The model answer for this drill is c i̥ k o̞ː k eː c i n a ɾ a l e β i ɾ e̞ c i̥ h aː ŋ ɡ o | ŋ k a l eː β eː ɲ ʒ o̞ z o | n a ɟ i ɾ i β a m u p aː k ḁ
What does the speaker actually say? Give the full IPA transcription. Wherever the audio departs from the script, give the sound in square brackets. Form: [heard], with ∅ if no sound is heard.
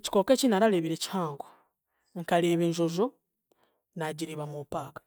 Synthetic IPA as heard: c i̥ k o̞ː k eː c i n a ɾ a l e β i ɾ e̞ c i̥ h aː ŋ ɡ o | ŋ k a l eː β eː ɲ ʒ o̞ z o | n a ɟ i ɾ i β a m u p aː k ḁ